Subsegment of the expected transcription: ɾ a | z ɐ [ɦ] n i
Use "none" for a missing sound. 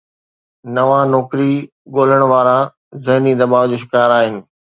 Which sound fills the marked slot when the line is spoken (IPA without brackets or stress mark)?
ɦ